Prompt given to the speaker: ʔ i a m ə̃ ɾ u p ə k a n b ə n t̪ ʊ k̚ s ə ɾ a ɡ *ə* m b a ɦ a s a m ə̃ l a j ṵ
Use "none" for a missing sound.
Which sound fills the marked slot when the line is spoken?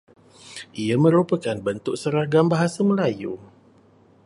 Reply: a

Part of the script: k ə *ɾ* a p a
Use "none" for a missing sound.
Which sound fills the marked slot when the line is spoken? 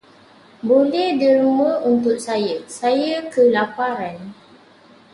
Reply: l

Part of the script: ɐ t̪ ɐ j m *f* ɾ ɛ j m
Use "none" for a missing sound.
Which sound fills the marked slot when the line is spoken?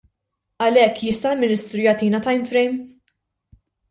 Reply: f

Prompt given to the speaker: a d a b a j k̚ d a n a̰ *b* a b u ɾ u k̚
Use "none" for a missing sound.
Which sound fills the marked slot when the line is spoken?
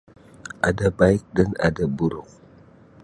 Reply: d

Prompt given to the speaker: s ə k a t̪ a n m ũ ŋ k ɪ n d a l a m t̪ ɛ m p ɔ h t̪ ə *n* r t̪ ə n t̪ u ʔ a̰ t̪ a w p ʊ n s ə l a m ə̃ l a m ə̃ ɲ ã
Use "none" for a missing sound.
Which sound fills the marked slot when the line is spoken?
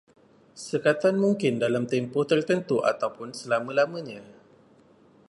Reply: none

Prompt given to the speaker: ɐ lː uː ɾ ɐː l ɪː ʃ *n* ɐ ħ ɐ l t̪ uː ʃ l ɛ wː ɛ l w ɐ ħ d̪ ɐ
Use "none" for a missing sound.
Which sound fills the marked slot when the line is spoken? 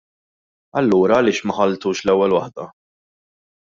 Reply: m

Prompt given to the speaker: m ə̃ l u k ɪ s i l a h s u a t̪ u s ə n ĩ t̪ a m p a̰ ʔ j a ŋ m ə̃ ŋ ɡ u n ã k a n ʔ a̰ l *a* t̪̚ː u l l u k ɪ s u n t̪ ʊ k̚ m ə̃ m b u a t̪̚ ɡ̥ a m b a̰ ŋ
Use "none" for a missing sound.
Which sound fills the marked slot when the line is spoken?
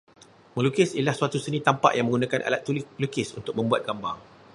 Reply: a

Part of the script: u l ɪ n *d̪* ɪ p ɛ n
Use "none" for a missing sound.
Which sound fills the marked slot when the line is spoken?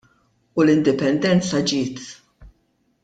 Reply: d̪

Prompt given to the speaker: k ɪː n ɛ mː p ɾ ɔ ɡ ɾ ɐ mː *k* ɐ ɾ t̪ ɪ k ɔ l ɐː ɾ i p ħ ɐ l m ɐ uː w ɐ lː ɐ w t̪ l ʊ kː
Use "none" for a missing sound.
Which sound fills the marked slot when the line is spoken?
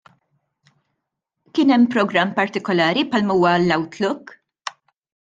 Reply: p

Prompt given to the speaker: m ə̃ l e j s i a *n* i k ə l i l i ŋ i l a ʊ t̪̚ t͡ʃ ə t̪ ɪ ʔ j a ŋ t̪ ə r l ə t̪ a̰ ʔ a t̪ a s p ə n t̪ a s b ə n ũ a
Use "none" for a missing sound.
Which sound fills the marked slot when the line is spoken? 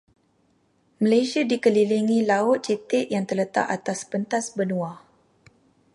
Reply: d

